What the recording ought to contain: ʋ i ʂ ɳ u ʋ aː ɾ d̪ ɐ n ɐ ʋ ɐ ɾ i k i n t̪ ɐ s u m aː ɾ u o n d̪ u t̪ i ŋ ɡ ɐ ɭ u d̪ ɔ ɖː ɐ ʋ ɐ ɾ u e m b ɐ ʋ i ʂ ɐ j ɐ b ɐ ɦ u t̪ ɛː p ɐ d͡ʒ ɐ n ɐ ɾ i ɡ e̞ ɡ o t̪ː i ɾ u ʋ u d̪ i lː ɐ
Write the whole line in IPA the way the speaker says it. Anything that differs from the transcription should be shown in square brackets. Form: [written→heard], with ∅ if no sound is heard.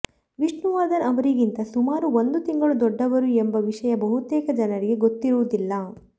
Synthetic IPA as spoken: ʋ i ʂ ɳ u ʋ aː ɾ d̪ ɐ n ɐ ʋ ɐ ɾ i [k→ɡ] i n t̪ ɐ s u m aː ɾ u o n d̪ u t̪ i ŋ ɡ ɐ ɭ u d̪ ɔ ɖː ɐ ʋ ɐ ɾ u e m b ɐ ʋ i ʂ ɐ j ɐ b ɐ ɦ u t̪ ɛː [p→k] ɐ d͡ʒ ɐ n ɐ ɾ i ɡ e̞ ɡ o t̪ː i ɾ u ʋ u d̪ i lː ɐ

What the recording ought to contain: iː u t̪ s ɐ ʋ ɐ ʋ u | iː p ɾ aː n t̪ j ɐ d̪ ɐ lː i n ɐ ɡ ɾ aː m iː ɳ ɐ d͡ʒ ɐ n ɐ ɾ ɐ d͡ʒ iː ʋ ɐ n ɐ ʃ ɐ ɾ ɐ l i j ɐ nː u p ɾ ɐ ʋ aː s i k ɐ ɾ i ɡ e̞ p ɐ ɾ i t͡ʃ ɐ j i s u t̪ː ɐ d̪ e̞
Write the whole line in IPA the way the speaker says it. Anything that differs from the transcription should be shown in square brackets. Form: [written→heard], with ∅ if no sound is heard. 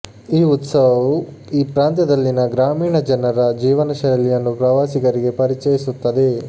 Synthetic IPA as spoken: iː u t̪ s ɐ ʋ ɐ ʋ u | iː p ɾ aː n t̪ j ɐ d̪ ɐ lː i n ɐ ɡ ɾ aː m iː ɳ ɐ d͡ʒ ɐ n ɐ ɾ ɐ d͡ʒ iː ʋ ɐ n ɐ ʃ ɐ ɾ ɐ l i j ɐ nː u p ɾ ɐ ʋ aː s i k ɐ ɾ i ɡ e̞ p ɐ ɾ i t͡ʃ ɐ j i s u t̪ː ɐ d̪ e̞

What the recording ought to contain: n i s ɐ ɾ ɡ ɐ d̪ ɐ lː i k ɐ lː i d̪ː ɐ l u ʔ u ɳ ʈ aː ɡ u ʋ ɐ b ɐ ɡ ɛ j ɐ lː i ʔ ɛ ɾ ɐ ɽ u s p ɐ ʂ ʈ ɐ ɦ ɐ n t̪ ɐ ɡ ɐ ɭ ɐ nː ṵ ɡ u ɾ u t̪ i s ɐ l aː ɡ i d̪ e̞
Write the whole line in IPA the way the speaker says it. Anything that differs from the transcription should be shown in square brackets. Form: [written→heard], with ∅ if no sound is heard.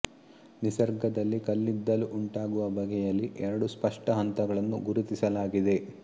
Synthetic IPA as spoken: n i s ɐ ɾ ɡ ɐ d̪ ɐ lː i k ɐ lː i d̪ː ɐ l u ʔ u ɳ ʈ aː ɡ u ʋ ɐ b ɐ ɡ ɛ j ɐ lː i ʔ ɛ ɾ ɐ ɽ u s p ɐ ʂ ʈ ɐ ɦ ɐ n t̪ ɐ ɡ ɐ ɭ ɐ nː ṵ ɡ u ɾ u t̪ i s ɐ l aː ɡ i d̪ e̞

